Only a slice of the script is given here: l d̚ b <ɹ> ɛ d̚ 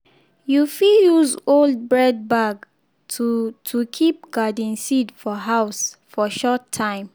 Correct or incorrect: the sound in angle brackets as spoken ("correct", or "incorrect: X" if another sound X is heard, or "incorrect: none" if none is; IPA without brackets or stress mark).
correct